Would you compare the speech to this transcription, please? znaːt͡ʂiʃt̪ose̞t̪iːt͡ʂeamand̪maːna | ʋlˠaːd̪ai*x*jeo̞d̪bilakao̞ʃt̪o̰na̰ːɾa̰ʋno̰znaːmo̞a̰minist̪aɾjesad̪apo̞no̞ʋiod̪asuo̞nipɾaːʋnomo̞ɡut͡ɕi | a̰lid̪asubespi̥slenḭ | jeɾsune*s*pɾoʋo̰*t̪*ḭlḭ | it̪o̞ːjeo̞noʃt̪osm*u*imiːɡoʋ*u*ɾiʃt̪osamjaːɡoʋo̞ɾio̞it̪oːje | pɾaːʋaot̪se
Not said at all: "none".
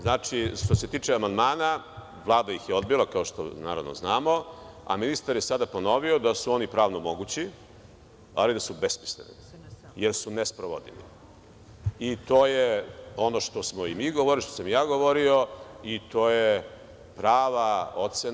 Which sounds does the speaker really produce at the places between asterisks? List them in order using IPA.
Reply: x, s, d̪, o, o

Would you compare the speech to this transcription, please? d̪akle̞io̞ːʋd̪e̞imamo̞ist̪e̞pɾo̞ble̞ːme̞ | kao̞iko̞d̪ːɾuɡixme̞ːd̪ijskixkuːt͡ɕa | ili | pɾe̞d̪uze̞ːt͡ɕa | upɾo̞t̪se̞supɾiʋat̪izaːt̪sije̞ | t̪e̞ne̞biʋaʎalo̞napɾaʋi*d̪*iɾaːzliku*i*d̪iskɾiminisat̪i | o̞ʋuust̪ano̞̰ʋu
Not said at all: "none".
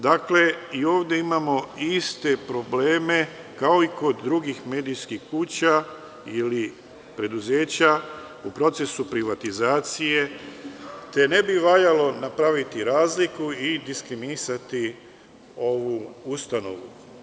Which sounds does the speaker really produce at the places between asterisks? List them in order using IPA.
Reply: t̪, i

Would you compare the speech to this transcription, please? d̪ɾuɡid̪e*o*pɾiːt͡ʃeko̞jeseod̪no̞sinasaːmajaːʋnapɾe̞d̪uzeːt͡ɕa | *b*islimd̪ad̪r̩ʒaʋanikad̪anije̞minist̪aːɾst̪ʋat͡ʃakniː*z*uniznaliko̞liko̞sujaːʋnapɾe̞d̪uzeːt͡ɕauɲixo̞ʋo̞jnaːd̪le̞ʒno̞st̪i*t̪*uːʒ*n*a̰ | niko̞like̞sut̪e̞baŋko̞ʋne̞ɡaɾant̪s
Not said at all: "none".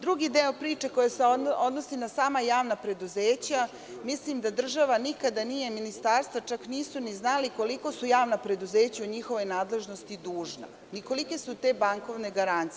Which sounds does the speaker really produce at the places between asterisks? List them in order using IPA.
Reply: o, m, s, d̪, n

